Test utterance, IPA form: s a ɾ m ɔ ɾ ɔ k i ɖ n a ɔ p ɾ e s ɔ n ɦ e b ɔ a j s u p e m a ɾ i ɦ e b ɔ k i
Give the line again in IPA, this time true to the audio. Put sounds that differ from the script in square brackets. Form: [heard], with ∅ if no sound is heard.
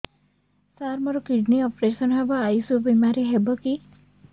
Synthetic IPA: s a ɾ m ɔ ɾ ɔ k i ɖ n [i] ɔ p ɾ e s ɔ n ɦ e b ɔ a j s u [b] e m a ɾ i ɦ e b ɔ k i